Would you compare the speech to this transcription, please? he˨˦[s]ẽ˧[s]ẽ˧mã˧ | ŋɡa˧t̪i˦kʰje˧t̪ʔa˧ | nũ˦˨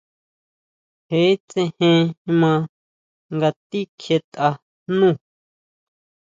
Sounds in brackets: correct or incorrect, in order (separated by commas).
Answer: incorrect, incorrect